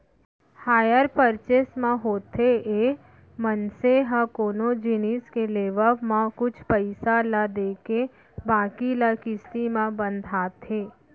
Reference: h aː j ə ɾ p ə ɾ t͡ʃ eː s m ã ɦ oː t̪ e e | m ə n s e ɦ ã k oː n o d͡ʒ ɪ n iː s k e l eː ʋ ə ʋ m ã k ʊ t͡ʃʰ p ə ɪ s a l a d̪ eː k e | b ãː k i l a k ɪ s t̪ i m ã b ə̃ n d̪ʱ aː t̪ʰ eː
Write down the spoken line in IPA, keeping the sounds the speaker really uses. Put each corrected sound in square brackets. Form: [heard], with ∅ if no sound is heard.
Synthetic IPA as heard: h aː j ə ɾ p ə ɾ t͡ʃ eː s m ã ɦ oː t̪ e e | m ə n s e ɦ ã k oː n o d͡ʒ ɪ n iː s k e l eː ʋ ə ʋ m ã k ʊ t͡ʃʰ p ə ɪ s a l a d̪ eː k e | b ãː k i l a k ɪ s t̪ i m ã b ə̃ n d̪ʱ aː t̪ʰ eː